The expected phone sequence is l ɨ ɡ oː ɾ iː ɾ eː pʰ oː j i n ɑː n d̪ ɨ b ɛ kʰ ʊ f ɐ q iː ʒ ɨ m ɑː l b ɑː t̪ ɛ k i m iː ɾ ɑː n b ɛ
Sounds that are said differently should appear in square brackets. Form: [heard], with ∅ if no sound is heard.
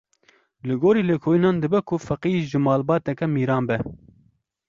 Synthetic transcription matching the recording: l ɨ ɡ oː ɾ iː [l] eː [kʰ] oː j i n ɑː n d̪ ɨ b ɛ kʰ ʊ f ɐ q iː ʒ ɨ m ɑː l b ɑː t̪ ɛ k [ɛ] m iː ɾ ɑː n b ɛ